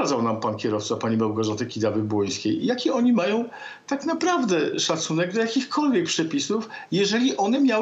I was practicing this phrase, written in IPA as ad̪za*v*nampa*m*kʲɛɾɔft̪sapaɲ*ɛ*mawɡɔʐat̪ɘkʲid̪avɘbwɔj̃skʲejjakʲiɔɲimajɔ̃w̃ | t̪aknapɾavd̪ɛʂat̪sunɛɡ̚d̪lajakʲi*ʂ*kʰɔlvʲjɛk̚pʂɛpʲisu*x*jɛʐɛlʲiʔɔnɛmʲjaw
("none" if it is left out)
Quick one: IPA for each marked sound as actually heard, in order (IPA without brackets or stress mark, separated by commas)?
w, n, i, x, f